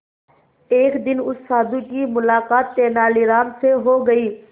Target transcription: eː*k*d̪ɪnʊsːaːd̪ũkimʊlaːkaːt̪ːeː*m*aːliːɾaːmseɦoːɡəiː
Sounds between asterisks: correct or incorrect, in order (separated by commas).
correct, incorrect